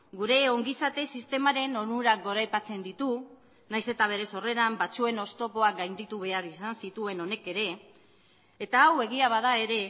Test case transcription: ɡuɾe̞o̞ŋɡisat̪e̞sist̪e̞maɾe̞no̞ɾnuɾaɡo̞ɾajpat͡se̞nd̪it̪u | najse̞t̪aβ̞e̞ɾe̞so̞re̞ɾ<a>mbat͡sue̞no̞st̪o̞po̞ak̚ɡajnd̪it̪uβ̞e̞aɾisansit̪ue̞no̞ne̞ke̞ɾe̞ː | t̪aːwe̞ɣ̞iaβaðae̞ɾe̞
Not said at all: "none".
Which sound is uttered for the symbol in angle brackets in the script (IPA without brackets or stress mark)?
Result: a